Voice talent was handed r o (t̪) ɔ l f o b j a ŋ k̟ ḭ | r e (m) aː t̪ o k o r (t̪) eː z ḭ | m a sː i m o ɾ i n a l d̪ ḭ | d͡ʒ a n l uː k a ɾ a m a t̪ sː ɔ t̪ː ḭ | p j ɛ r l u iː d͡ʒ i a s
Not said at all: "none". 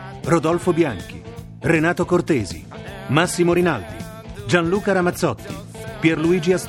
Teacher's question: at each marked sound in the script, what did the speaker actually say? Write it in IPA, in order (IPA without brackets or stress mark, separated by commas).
d̪, n, t̪